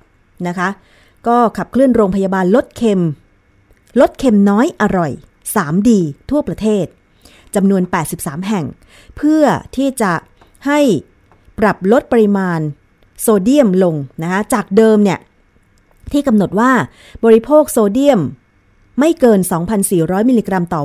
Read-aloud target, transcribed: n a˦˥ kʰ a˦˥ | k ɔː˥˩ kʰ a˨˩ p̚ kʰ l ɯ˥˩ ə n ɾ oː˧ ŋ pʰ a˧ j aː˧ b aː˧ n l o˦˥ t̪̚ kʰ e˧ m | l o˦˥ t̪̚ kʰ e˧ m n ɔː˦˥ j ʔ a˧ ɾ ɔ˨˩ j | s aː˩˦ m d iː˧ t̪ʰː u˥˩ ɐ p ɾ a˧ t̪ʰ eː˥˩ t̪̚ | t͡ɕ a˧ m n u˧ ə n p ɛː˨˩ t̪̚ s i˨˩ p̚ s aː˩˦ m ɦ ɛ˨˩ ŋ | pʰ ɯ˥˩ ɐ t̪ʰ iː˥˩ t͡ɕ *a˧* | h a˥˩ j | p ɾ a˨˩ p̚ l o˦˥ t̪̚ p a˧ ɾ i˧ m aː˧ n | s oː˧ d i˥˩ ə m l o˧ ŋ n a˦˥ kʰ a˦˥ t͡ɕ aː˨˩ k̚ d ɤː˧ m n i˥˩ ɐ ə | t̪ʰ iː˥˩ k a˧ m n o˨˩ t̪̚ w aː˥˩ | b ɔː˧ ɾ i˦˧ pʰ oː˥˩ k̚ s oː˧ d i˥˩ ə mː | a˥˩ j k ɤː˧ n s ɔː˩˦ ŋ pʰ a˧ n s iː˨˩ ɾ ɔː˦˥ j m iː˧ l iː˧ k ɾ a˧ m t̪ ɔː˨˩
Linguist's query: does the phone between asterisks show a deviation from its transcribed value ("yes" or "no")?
yes